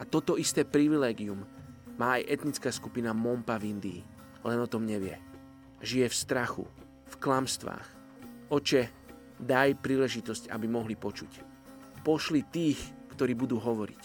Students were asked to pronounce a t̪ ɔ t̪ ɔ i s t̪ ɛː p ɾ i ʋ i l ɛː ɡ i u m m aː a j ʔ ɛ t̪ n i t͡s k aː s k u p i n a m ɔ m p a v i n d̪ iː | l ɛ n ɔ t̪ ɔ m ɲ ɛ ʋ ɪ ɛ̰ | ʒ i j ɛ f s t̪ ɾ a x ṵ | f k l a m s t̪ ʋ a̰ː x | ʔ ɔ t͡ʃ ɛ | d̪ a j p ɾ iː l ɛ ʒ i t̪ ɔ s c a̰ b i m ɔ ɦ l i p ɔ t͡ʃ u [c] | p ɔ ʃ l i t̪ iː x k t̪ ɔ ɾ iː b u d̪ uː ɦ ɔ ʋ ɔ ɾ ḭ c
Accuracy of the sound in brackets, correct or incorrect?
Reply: correct